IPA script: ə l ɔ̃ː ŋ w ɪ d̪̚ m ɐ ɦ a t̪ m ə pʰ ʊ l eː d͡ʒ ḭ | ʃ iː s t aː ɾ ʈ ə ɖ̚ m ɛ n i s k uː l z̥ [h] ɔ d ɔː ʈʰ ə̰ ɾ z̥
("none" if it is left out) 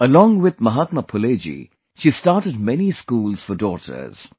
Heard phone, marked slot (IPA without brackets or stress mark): f